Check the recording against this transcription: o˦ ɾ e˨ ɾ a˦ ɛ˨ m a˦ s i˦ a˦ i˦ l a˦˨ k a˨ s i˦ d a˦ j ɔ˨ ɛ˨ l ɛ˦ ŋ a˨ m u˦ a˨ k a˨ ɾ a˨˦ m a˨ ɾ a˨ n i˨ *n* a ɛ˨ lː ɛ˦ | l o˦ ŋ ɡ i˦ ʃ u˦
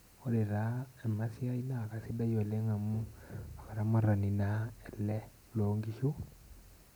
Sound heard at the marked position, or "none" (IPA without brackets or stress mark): n